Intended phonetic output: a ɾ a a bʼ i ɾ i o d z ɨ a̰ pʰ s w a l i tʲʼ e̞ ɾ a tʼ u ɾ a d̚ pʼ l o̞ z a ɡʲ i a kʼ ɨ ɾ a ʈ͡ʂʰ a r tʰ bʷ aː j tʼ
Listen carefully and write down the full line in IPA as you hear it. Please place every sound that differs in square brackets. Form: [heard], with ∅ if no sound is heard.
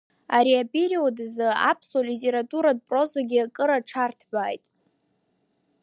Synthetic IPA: a ɾ [i] a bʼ i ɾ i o d z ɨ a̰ pʰ s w a l i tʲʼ e̞ ɾ a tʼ u ɾ a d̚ pʼ [r] o̞ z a ɡʲ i a kʼ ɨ ɾ a ʈ͡ʂʰ a r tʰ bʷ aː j tʼ